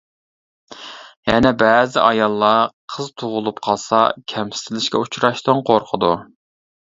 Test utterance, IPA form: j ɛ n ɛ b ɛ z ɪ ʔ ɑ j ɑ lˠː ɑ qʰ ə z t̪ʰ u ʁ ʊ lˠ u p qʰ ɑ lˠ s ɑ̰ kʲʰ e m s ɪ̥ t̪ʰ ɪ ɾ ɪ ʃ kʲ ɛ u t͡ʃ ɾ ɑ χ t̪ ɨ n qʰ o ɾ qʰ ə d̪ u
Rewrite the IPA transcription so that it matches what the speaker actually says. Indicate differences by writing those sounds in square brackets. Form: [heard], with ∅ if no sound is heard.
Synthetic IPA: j ɛ n ɛ b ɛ z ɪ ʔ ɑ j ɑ lˠː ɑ qʰ ə z t̪ʰ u ʁ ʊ lˠ u p qʰ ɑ lˠ s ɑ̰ kʲʰ [ɛ] m s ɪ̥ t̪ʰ ɪ [l] ɪ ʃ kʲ ɛ u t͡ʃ ɾ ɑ [ʃ] t̪ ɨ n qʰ o ɾ qʰ ə d̪ u